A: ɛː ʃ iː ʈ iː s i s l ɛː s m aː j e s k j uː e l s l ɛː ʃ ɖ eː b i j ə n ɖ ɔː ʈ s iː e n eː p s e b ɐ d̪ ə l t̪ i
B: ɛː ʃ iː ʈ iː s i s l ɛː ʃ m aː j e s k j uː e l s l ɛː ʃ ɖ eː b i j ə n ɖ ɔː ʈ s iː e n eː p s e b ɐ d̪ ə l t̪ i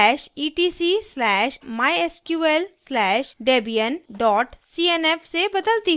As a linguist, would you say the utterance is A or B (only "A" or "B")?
B